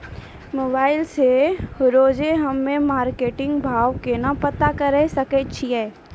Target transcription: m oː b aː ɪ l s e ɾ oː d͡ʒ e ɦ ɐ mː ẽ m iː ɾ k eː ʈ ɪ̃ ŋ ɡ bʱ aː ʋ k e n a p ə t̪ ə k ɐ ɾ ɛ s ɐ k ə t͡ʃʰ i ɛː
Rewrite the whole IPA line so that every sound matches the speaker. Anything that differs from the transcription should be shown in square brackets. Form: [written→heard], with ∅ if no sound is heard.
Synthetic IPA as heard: m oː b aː ɪ l s e ɾ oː d͡ʒ e ɦ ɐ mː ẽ m [iː→aː] ɾ k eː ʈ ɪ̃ ŋ ɡ bʱ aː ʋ k e n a p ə t̪ [ə→a] k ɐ ɾ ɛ s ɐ k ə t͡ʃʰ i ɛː